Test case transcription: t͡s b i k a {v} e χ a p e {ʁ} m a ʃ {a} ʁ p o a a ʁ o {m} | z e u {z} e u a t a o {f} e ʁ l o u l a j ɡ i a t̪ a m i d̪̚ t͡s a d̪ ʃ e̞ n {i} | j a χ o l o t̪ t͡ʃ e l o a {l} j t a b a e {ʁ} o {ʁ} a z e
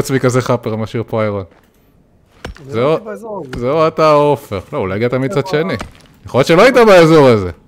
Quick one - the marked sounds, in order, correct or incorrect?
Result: incorrect: z, correct, incorrect: i, incorrect: n, correct, correct, correct, incorrect: none, incorrect: z, correct

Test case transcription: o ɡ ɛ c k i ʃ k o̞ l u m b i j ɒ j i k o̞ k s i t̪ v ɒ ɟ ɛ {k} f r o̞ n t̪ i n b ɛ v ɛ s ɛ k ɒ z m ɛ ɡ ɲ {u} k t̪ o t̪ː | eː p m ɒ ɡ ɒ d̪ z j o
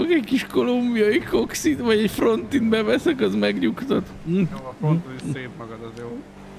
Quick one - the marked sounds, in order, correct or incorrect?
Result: incorrect: c, correct

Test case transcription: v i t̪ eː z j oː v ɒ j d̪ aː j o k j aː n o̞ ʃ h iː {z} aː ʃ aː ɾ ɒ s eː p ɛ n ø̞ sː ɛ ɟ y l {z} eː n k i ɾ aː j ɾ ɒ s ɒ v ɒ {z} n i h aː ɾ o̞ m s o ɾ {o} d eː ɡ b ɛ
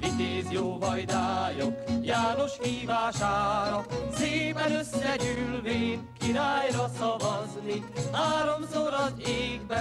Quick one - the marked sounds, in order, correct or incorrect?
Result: incorrect: v, incorrect: v, correct, incorrect: ɒ

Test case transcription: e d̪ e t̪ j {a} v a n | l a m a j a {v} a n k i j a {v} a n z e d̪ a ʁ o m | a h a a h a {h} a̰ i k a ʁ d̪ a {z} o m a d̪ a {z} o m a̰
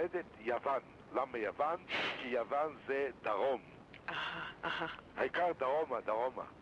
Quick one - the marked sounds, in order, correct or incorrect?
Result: correct, correct, correct, correct, incorrect: ʁ, incorrect: ʁ

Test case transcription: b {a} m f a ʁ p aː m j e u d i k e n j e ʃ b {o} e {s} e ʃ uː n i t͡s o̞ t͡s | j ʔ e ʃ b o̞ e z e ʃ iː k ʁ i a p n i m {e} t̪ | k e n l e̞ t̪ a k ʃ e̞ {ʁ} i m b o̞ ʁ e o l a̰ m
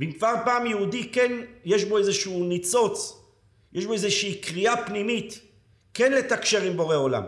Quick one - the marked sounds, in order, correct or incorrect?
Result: incorrect: i, correct, incorrect: z, incorrect: i, correct

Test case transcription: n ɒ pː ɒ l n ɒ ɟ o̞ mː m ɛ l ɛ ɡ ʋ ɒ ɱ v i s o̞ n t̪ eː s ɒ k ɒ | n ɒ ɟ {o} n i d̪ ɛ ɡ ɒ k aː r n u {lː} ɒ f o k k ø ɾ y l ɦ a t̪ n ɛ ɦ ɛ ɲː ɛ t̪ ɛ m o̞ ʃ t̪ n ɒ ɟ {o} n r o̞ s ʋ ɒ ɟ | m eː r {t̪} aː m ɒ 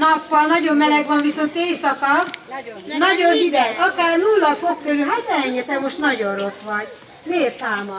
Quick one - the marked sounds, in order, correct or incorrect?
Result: correct, correct, correct, correct

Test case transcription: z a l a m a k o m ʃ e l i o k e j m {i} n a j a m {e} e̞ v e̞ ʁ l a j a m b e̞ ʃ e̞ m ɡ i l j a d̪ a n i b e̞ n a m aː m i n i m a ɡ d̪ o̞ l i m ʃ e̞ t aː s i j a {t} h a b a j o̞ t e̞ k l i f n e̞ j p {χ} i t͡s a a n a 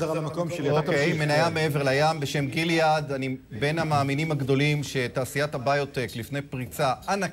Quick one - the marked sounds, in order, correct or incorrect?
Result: incorrect: e, correct, correct, incorrect: ʁ

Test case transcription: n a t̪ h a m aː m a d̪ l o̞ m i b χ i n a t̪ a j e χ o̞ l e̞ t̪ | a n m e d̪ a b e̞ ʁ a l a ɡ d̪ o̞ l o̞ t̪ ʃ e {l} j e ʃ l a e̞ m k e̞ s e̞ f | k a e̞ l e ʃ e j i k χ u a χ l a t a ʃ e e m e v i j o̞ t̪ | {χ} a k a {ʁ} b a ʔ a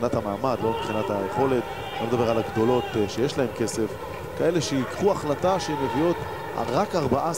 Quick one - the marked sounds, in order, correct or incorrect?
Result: incorrect: none, incorrect: ʁ, correct

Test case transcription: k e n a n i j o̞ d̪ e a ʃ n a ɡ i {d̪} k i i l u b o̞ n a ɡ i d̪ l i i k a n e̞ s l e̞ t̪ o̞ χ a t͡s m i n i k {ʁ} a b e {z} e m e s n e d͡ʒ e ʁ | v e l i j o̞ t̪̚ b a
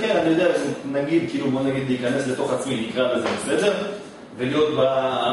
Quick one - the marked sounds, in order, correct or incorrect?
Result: correct, correct, correct

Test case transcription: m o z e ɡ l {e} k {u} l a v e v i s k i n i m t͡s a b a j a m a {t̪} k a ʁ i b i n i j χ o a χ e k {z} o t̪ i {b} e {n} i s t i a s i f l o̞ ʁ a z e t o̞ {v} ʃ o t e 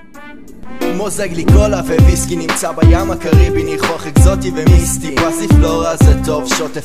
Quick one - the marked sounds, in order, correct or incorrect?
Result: incorrect: i, incorrect: o, incorrect: none, correct, incorrect: v, incorrect: m, correct

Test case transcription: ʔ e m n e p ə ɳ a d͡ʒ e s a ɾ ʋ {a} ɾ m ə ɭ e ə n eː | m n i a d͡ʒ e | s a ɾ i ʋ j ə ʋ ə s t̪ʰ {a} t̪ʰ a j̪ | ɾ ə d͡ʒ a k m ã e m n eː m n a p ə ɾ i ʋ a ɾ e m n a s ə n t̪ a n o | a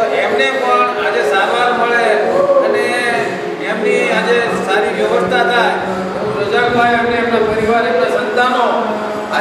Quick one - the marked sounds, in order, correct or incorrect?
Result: correct, correct

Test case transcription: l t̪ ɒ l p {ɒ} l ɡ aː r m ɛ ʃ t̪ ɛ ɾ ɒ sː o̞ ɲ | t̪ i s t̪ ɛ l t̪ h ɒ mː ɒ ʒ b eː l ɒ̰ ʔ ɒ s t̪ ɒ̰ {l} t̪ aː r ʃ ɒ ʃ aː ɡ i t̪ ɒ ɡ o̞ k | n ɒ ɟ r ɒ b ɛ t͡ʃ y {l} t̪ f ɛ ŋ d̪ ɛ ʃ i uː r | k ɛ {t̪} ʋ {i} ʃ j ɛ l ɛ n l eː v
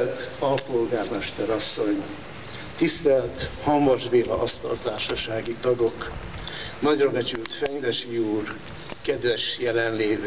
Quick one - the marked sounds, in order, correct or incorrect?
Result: incorrect: o, correct, correct, incorrect: d̪, incorrect: ɛ

